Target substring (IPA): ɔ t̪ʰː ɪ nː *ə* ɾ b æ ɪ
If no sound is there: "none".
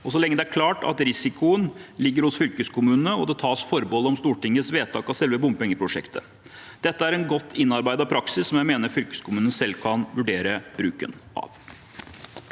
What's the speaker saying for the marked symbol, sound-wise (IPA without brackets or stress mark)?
ɑ